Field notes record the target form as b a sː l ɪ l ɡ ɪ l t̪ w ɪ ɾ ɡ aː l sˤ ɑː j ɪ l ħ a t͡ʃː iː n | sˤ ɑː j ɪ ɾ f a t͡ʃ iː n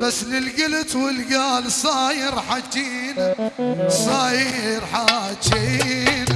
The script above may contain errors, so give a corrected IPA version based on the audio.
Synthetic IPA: b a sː l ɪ l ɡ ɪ l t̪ w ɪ l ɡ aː l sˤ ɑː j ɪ ɾ ħ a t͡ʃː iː n | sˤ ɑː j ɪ ɾ ħ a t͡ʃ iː n